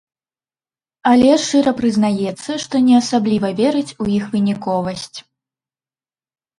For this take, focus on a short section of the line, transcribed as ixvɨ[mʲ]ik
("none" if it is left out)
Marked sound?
nʲ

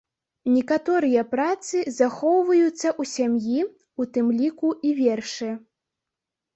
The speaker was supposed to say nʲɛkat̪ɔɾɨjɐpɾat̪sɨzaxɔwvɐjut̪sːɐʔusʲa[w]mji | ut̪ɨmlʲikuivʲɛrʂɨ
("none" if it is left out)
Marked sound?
none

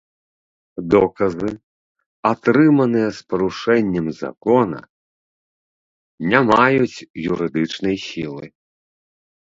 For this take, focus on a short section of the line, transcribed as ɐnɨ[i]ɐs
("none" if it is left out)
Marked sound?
j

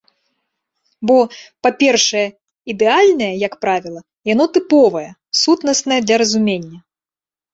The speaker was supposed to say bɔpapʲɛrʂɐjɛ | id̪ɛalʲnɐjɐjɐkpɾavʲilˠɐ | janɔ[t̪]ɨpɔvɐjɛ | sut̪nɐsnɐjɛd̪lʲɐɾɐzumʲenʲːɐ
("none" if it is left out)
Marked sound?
t̪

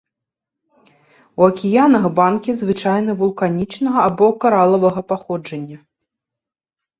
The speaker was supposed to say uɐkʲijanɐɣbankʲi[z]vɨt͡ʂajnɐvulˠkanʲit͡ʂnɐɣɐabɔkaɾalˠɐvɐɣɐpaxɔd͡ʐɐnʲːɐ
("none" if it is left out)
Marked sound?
z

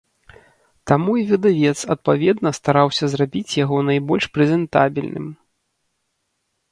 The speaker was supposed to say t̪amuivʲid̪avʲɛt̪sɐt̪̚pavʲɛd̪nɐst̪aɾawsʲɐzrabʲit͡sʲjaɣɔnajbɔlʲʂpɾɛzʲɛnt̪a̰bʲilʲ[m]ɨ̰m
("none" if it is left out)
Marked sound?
n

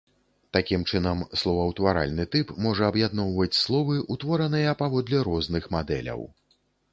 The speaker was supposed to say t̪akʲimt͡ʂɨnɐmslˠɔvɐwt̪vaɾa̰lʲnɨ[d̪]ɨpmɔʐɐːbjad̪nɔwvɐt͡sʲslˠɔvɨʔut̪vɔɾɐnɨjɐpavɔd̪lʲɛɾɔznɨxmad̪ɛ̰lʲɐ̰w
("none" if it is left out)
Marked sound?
t̪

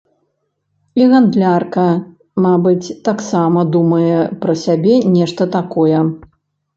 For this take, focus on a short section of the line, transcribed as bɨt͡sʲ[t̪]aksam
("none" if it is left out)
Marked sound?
t̪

